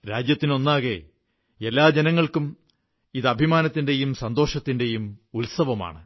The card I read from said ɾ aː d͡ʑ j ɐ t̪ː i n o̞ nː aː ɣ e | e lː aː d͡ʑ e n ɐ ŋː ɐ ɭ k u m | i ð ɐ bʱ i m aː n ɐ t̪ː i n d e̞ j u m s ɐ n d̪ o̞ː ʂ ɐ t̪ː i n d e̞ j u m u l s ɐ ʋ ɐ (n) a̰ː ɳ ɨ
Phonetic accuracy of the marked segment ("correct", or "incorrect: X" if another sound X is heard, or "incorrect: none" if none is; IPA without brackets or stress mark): incorrect: m